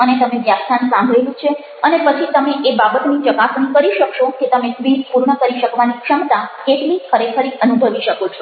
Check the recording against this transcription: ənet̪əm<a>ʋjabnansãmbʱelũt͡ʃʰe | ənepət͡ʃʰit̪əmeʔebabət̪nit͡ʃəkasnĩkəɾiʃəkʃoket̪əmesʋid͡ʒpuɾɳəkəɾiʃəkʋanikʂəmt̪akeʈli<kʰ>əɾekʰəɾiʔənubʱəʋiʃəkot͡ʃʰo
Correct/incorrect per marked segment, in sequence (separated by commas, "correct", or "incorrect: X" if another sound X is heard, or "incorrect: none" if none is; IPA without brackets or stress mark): incorrect: e, correct